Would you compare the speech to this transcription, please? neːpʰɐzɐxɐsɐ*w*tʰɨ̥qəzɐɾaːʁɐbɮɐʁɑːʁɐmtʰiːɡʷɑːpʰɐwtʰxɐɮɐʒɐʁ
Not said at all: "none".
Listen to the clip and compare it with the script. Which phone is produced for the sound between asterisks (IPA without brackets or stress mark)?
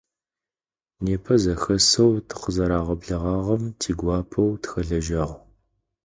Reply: w